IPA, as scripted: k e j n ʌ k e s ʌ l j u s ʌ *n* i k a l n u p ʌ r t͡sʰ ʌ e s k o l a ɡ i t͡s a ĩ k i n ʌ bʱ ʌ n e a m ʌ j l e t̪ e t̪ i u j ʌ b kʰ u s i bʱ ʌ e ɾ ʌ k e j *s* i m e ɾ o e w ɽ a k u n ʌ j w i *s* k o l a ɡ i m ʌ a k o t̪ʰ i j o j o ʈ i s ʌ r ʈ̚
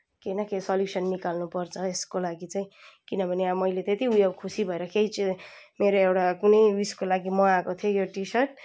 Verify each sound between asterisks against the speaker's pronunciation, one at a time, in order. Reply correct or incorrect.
incorrect, incorrect, correct

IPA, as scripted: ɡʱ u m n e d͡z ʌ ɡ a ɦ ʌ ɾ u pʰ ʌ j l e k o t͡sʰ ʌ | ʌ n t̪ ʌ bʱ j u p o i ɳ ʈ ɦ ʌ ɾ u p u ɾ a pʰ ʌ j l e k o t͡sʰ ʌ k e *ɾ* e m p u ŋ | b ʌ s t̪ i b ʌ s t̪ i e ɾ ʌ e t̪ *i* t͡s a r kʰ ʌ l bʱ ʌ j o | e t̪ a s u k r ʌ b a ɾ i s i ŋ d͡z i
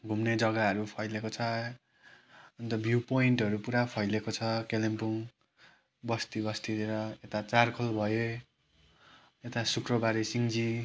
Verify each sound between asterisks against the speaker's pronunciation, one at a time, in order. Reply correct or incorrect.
incorrect, incorrect

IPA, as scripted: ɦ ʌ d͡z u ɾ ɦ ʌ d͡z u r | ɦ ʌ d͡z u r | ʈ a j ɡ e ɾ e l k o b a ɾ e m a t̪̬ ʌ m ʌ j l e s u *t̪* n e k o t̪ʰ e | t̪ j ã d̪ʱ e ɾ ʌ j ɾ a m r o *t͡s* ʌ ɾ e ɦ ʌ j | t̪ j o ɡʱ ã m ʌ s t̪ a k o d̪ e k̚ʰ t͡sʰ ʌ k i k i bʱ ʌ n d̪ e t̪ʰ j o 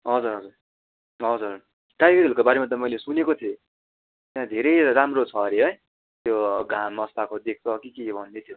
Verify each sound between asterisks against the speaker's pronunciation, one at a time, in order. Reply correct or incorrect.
incorrect, incorrect

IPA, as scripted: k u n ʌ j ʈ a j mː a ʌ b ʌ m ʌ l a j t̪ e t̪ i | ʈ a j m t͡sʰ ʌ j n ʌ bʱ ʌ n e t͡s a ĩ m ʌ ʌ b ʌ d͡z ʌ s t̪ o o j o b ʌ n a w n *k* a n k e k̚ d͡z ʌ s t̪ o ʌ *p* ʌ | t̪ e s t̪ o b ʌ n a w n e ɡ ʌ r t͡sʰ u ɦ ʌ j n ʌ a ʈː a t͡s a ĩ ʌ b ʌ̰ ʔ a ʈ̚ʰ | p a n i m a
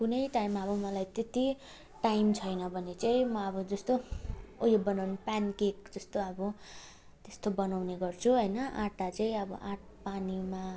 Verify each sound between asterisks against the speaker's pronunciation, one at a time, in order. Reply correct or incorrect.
incorrect, incorrect

